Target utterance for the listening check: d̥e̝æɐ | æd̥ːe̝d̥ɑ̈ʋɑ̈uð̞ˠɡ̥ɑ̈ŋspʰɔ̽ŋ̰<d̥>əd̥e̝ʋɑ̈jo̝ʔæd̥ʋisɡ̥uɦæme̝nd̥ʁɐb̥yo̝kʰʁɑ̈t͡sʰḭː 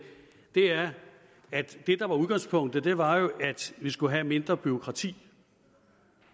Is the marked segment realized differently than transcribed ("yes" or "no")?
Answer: no